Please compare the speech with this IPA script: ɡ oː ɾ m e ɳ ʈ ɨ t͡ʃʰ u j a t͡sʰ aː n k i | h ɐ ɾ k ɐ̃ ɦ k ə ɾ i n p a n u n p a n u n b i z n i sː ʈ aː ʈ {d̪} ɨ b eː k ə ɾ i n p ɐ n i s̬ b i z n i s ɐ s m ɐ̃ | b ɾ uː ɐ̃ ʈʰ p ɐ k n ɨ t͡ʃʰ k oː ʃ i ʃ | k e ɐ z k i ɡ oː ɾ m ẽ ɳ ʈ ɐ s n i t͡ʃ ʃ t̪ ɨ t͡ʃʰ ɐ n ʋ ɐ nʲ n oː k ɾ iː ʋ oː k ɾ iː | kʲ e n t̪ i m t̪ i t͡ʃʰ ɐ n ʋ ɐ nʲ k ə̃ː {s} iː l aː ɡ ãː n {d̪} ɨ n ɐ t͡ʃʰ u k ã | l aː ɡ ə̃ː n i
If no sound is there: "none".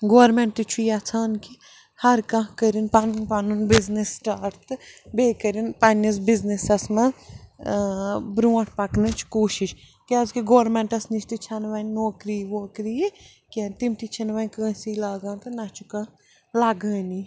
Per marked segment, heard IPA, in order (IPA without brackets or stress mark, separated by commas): t̪, s, t̪